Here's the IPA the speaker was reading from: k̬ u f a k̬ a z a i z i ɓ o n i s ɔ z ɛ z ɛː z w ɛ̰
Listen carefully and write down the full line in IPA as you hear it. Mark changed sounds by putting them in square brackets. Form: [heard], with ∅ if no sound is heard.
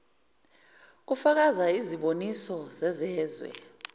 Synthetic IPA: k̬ u f a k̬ a z a i z i ɓ o n i s ɔ z ɛ z ɛː z w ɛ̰